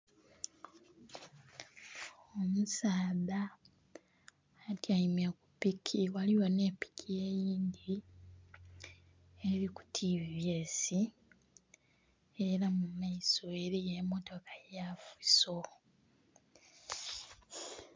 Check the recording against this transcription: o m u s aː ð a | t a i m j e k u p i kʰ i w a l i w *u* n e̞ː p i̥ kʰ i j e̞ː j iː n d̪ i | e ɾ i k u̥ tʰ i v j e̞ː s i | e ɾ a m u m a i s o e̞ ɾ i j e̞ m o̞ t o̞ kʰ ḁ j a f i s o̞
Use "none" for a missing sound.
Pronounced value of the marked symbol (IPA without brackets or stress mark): o